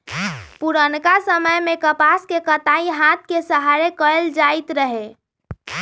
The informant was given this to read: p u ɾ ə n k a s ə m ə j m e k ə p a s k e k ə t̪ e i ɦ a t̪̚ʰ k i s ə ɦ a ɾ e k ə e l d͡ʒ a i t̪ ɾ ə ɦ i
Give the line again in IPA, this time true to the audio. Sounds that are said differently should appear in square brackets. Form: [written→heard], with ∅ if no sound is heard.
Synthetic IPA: p u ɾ ə n k a s ə m ə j m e k ə p a s k e k ə t̪ [e→a] i ɦ a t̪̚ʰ k [i→e] s ə ɦ a ɾ e k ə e l d͡ʒ a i t̪ ɾ ə ɦ [i→e]